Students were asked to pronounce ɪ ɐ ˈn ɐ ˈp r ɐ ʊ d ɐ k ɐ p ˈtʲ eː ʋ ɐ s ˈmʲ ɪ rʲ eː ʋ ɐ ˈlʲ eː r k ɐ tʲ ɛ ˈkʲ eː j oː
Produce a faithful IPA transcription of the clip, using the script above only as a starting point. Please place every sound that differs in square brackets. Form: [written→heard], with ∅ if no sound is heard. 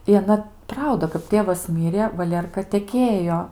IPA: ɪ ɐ ˈn ɐ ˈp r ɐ ʊ d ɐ k ɐ p ˈtʲ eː ʋ ɐ s ˈmʲ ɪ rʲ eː ʋ ɐ ˈlʲ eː r k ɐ tʲ ɛ ˈkʲ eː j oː